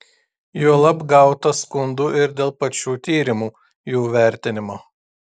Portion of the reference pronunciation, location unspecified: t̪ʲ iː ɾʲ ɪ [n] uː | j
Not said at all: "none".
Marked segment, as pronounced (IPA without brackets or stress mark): m